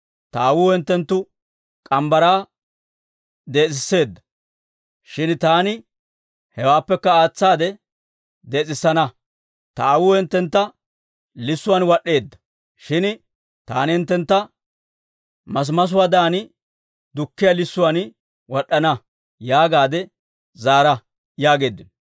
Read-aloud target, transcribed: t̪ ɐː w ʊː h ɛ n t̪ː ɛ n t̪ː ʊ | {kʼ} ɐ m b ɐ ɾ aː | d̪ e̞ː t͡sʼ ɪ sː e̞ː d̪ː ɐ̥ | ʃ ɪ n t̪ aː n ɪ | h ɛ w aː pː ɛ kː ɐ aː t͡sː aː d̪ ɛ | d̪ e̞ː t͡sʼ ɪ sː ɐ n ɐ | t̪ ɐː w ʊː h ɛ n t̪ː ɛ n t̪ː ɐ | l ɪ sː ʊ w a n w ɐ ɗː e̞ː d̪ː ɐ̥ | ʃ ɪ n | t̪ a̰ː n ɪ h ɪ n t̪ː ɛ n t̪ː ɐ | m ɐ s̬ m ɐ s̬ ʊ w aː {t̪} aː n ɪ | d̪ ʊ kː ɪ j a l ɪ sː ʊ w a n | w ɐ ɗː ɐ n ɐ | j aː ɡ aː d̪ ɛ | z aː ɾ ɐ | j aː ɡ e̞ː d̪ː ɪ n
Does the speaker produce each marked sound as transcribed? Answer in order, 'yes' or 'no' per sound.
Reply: yes, no

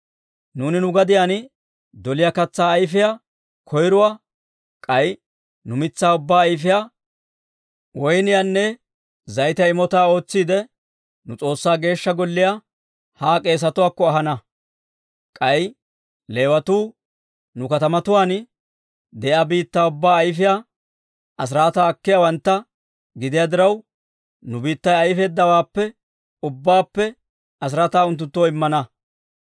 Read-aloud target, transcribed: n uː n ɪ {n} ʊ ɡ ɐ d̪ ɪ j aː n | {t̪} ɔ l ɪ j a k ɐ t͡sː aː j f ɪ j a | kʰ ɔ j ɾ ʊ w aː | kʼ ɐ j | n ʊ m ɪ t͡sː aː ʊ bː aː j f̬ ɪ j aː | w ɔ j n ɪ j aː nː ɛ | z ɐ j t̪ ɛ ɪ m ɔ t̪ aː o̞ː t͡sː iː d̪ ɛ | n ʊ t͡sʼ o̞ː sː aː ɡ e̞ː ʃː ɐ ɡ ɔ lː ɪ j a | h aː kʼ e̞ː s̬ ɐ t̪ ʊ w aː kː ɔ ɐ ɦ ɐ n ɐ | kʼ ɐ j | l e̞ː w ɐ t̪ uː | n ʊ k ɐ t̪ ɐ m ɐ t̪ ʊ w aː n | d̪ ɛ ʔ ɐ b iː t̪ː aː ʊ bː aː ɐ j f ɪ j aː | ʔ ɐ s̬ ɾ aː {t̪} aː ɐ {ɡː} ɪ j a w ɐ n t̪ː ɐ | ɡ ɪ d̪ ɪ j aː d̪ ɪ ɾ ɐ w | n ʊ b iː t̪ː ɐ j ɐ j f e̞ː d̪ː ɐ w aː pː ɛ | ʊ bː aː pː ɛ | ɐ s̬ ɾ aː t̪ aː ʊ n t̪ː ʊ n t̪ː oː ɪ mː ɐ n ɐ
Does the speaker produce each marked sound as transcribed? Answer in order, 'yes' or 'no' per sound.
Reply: yes, no, yes, no

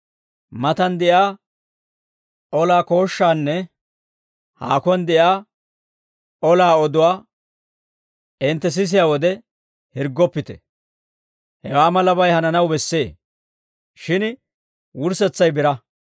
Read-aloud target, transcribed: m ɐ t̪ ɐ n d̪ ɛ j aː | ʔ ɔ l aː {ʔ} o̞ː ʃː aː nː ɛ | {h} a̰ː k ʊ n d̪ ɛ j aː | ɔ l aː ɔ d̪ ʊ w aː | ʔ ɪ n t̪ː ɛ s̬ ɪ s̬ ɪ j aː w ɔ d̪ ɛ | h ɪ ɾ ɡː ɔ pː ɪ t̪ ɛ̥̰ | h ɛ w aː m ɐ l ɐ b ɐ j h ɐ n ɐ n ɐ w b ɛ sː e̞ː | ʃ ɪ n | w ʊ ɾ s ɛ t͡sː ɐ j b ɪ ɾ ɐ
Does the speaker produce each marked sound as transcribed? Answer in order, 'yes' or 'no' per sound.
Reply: no, yes

